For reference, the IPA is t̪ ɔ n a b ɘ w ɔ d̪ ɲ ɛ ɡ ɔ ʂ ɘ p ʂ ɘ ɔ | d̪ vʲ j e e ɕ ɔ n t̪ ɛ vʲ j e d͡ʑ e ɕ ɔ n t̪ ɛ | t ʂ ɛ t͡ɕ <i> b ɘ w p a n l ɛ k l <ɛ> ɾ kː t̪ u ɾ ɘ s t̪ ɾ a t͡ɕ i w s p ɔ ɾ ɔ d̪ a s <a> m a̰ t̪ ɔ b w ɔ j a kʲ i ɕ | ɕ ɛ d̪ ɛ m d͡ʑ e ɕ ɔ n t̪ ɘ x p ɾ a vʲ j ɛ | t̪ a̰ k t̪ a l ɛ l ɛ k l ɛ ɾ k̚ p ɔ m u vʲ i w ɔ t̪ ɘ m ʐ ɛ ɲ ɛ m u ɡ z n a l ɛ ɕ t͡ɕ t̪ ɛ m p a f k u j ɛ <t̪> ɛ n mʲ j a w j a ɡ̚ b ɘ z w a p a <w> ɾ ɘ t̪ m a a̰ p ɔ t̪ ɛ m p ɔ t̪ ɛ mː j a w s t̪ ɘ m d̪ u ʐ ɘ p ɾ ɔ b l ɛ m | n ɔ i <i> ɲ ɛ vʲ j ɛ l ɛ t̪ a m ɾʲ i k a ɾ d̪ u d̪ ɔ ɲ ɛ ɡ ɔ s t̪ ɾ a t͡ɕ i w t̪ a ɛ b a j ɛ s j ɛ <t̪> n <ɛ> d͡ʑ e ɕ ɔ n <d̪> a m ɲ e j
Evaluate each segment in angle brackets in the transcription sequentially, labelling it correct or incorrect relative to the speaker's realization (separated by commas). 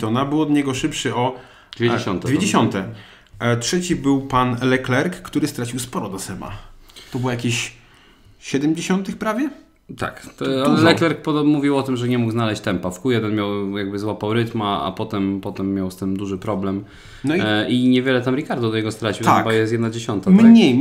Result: correct, correct, incorrect, incorrect, correct, correct, incorrect, incorrect, incorrect